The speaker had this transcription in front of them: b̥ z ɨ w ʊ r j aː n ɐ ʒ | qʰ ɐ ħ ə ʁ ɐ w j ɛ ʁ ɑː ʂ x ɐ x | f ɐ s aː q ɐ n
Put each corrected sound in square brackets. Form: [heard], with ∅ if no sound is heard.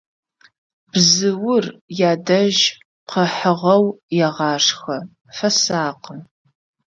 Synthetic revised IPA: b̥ z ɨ w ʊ r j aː [d] ɐ ʒ | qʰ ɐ ħ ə ʁ ɐ w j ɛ ʁ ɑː ʂ x ɐ [∅] | f ɐ s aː q [ə] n